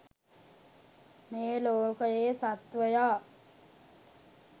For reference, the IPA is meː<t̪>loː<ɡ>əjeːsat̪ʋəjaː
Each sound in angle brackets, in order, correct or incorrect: incorrect: none, incorrect: k

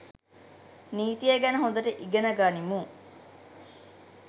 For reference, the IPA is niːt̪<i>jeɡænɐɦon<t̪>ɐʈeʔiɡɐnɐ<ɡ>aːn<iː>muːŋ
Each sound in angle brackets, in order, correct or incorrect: correct, incorrect: d̪, correct, incorrect: i

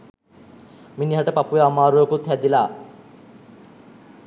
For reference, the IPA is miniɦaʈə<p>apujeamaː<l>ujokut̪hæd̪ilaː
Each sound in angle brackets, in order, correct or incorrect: correct, incorrect: ɾ

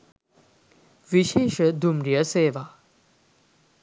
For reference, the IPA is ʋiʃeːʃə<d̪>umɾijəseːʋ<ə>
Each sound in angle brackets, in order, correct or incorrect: correct, incorrect: a

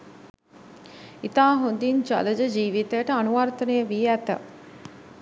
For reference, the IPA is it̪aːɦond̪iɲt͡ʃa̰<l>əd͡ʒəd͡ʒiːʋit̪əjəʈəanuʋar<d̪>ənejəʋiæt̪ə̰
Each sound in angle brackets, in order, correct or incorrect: correct, incorrect: t̪

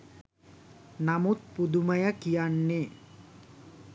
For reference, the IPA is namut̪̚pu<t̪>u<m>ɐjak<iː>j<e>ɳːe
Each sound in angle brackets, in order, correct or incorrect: incorrect: d̪, correct, incorrect: i, incorrect: a

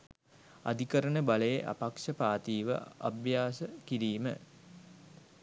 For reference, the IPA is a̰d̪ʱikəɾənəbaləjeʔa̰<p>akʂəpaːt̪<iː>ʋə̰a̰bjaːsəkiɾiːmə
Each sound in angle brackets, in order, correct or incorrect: correct, correct

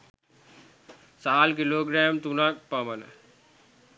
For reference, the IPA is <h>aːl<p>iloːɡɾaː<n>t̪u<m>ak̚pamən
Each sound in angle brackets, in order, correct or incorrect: incorrect: s, incorrect: k, incorrect: m, incorrect: n

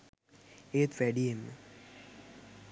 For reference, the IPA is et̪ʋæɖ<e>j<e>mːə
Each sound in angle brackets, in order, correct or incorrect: incorrect: i, correct

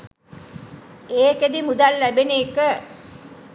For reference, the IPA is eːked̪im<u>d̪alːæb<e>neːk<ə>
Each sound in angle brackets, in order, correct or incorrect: correct, correct, correct

